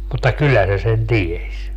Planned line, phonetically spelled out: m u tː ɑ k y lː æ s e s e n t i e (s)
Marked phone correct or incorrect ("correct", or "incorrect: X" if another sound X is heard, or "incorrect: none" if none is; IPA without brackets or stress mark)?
correct